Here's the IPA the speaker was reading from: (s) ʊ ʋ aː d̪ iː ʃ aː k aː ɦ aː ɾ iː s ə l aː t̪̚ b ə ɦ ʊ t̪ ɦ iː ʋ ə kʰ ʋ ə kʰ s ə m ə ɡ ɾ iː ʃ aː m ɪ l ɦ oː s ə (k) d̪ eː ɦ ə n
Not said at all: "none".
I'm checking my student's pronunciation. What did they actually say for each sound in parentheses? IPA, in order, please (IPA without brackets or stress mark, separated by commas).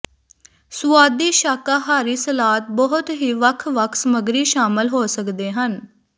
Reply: s, k